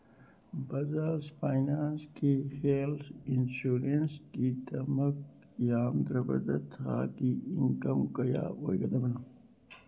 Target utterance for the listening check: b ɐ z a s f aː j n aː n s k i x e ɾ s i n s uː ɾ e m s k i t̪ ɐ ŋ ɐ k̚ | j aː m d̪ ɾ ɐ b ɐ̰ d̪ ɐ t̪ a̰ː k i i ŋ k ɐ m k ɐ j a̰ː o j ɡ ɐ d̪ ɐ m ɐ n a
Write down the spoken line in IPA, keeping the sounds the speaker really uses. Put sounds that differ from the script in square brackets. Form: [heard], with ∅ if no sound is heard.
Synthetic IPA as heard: b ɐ z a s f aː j n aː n s k i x e [l] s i n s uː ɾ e [n] s k i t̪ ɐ [m] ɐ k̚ | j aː m d̪ ɾ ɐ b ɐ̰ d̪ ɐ t̪ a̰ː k i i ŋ k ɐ m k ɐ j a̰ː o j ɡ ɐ d̪ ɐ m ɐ n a